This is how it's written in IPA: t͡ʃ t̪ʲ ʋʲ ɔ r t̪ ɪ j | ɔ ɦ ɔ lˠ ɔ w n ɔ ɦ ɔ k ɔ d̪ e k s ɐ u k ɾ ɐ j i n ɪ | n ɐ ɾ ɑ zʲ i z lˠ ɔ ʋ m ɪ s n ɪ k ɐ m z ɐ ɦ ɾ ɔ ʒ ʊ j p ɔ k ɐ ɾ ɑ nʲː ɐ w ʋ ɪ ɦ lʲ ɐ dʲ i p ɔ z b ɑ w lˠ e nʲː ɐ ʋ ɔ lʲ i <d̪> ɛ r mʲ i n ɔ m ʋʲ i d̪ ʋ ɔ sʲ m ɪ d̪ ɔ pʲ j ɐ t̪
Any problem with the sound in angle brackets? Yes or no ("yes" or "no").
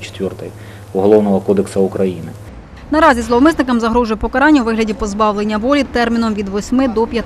yes